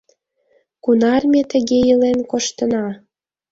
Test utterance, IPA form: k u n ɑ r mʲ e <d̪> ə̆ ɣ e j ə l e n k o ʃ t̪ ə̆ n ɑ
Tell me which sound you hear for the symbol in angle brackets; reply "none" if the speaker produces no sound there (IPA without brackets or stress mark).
t̪